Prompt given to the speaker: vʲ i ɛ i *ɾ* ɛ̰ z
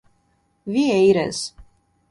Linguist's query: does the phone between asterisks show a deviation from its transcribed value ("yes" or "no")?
no